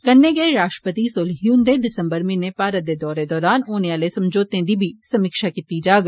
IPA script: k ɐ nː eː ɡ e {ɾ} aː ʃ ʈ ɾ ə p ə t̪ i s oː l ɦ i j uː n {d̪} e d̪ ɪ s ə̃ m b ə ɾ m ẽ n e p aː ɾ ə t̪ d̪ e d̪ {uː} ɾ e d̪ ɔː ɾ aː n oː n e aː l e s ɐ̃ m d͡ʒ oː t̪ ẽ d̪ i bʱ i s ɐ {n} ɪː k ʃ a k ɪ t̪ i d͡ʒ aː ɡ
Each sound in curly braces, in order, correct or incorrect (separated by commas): correct, correct, incorrect, incorrect